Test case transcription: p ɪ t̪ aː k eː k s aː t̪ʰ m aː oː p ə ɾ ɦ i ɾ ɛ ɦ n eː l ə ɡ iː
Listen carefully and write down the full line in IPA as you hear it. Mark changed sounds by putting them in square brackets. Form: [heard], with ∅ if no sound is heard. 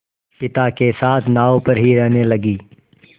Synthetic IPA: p ɪ t̪ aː k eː [∅] s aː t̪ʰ [n] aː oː p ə ɾ ɦ i ɾ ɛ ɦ n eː l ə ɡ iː